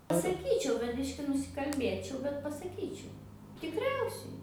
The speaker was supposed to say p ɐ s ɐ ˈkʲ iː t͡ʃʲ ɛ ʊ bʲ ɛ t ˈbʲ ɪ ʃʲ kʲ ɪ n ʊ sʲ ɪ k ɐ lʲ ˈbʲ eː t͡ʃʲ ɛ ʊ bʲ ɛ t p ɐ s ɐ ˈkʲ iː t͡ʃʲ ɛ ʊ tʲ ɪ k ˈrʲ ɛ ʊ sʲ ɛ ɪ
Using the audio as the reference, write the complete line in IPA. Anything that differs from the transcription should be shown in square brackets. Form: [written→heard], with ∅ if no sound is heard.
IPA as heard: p ɐ s ɐ ˈkʲ iː t͡ʃʲ ɛ ʊ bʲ ɛ t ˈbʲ ɪ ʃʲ kʲ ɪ n ʊ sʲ ɪ k ɐ lʲ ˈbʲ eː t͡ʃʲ ɛ ʊ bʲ ɛ t p ɐ s ɐ ˈkʲ iː t͡ʃʲ ɛ ʊ tʲ ɪ k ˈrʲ ɛ ʊ sʲ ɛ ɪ